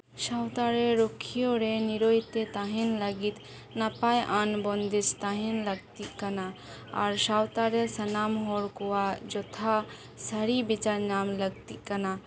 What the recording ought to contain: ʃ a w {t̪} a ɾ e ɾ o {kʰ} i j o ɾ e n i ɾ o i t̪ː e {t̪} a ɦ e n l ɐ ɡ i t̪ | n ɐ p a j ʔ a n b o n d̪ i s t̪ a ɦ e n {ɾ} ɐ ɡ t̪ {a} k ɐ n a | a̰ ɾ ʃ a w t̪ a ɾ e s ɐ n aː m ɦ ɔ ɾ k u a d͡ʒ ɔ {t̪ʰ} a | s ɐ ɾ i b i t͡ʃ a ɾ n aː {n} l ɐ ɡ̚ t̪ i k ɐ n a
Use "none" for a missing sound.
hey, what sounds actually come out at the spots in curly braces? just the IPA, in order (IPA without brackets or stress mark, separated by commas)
t̪, kʰ, t̪, l, i, t̪ʰ, m